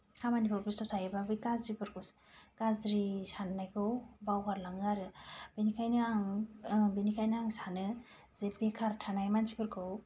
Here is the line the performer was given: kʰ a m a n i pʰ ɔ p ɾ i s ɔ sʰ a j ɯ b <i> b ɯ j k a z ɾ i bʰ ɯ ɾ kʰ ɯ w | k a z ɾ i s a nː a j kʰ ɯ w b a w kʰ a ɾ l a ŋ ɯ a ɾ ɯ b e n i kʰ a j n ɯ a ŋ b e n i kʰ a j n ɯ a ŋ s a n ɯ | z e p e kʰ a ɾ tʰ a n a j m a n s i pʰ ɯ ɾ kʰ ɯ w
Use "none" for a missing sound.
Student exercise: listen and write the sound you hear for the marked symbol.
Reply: a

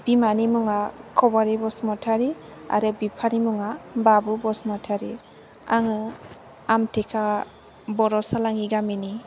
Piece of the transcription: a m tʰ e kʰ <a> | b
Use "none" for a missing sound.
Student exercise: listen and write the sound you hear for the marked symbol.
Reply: a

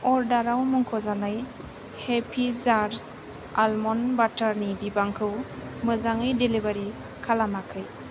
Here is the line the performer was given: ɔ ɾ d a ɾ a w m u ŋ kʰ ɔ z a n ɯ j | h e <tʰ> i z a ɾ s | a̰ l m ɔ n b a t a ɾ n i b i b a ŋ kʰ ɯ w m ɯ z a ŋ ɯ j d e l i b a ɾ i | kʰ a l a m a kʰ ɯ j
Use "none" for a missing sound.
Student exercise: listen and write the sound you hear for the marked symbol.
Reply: pʰ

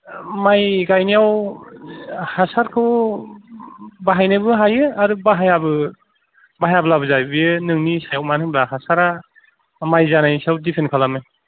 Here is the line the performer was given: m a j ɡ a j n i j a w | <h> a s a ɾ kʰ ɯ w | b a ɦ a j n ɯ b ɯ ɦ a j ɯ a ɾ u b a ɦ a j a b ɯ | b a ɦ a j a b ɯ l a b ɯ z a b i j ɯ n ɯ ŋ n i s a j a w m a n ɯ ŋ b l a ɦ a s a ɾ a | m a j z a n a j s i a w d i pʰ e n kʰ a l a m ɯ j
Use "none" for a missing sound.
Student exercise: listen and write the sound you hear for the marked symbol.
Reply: h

